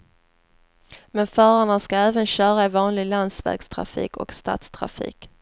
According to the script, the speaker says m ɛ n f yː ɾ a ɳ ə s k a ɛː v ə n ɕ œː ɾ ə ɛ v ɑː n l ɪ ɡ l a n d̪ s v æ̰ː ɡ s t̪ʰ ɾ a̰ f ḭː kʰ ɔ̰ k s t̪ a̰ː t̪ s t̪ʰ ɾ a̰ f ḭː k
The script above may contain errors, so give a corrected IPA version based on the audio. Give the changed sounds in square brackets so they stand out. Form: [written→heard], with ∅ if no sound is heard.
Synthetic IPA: m ɛ n f [yː→œː] ɾ a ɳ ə s k a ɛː v ə n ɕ œː ɾ [ə→a] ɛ v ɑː n l ɪ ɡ l a n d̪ s v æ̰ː ɡ s t̪ʰ ɾ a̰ f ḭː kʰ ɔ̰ k s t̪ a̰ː t̪ s t̪ʰ ɾ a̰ f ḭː k